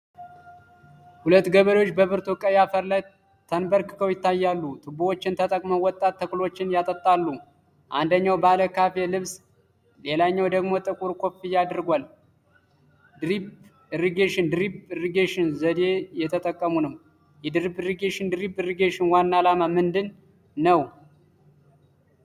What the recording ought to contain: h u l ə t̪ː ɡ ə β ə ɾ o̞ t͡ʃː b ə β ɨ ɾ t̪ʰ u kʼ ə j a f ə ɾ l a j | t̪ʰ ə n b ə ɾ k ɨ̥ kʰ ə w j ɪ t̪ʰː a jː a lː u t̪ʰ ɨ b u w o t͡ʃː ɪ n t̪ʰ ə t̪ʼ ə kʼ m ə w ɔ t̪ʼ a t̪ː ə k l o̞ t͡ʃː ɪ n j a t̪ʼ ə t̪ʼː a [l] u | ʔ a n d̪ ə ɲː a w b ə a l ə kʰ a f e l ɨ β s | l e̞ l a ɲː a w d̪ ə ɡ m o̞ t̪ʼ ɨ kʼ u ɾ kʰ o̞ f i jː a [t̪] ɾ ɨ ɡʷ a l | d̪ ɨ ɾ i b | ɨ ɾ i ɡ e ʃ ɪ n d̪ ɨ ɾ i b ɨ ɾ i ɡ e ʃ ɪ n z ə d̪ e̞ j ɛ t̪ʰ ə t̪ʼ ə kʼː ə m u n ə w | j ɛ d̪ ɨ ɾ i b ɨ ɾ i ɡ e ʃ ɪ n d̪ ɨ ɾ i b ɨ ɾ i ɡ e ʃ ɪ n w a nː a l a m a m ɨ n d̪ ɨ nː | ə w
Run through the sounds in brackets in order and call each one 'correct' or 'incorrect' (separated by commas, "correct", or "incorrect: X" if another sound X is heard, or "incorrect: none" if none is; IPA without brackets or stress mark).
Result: incorrect: lː, incorrect: d̪